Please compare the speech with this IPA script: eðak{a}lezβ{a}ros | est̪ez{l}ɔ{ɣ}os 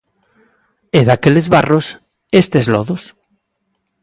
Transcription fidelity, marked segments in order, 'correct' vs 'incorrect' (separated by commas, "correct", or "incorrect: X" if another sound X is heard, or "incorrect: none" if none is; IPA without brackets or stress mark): incorrect: e, correct, correct, incorrect: ð